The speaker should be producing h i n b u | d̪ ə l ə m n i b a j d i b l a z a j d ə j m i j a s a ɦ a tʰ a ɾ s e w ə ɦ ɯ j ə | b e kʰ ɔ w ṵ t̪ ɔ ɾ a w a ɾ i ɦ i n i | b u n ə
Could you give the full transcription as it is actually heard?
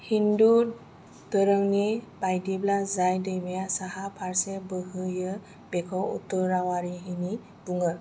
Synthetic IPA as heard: h i n d u | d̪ ə ɾ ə ŋ n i b a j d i b l a z a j d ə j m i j a s a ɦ a pʰ a ɾ s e b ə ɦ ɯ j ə | b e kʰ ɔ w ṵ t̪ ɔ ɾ a w a ɾ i ɦ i n i | b u ŋ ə